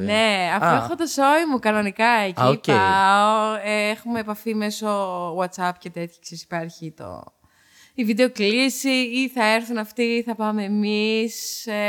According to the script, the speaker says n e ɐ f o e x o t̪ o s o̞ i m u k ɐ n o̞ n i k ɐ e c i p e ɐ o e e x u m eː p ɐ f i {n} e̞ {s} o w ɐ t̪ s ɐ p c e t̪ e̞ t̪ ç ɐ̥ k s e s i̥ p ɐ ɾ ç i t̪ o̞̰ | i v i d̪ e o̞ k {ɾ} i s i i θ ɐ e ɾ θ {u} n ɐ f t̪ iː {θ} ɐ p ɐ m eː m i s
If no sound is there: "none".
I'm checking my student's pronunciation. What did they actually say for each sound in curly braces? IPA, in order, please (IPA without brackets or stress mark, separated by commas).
m, s, l, u, θ